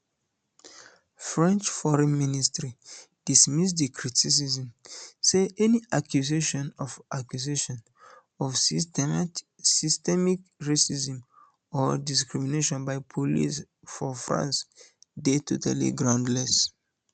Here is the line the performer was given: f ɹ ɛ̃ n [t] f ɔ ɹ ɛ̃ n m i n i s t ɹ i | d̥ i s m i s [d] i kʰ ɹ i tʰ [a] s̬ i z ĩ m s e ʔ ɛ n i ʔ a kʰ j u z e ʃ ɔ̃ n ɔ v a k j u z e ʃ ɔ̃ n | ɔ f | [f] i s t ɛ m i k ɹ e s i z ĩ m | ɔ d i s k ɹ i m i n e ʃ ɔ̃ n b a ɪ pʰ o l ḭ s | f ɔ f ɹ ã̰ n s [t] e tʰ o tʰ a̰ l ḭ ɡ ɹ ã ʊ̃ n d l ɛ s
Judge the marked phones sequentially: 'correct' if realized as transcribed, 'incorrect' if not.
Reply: incorrect: t͡ʃ, correct, incorrect: i, incorrect: s, incorrect: d

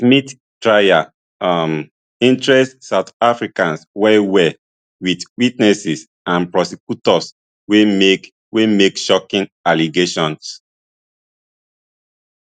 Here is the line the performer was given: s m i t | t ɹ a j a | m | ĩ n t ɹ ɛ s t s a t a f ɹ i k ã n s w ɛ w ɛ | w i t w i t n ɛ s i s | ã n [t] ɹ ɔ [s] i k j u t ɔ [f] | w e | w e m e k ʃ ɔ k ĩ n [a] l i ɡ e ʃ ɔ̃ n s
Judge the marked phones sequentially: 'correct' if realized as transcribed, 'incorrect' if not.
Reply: incorrect: p, correct, incorrect: s, correct

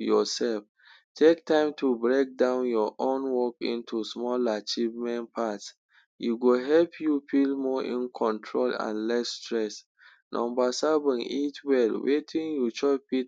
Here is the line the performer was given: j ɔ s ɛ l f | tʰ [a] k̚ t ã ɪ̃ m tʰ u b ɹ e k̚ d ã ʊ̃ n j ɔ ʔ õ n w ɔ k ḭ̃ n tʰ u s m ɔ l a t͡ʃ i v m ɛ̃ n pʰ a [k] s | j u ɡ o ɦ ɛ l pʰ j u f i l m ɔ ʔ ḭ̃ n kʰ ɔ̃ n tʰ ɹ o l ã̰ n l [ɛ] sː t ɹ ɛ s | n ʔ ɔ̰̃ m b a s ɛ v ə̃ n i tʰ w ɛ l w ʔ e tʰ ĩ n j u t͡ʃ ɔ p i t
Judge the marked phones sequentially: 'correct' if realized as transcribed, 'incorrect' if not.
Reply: incorrect: e, incorrect: t, correct

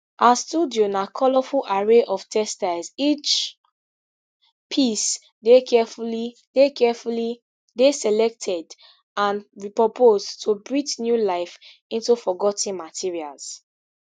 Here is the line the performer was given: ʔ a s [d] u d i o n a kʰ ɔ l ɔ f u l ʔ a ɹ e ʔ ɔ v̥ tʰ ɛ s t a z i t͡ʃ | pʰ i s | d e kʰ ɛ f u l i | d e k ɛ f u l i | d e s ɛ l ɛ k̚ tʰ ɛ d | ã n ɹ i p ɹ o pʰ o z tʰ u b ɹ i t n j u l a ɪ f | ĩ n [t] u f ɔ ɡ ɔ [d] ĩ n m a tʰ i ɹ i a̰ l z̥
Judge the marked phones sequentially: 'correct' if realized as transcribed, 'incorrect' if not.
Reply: incorrect: t, correct, incorrect: t

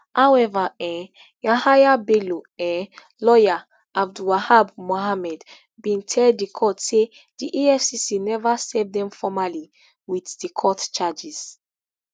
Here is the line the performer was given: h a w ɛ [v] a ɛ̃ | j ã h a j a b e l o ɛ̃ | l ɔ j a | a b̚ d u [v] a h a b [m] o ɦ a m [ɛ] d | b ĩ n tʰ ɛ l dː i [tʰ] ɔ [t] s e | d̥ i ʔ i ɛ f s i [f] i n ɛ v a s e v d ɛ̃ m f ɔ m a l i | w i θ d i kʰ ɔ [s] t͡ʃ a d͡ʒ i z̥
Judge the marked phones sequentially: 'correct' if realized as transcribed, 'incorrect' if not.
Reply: correct, incorrect: w, correct, correct, incorrect: kʰ, correct, incorrect: s, incorrect: t

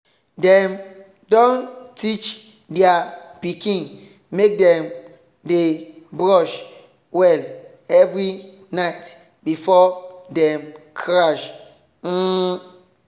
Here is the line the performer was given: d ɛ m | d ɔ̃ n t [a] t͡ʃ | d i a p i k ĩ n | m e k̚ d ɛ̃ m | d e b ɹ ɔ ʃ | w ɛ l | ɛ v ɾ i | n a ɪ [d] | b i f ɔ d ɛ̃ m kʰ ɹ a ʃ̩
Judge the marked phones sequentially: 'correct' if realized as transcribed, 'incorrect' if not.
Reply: incorrect: i, incorrect: t

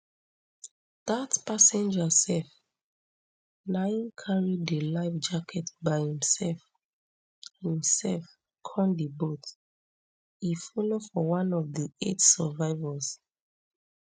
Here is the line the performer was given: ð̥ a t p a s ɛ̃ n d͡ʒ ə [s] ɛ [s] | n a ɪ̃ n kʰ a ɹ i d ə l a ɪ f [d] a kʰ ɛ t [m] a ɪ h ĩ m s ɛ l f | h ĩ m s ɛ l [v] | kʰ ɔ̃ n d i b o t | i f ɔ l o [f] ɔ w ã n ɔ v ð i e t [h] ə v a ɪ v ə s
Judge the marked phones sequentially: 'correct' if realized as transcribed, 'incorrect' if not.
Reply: correct, incorrect: f, incorrect: d͡ʒ, incorrect: b, incorrect: f, correct, incorrect: s

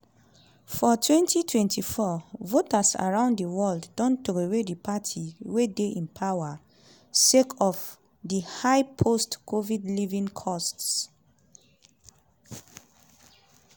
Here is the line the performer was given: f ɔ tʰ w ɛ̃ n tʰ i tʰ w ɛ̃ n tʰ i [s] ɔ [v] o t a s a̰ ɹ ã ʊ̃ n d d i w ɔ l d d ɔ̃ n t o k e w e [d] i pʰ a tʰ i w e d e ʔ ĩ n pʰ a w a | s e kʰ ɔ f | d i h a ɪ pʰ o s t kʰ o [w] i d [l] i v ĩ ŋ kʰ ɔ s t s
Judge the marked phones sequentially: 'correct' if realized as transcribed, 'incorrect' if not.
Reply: incorrect: f, correct, correct, incorrect: v, correct

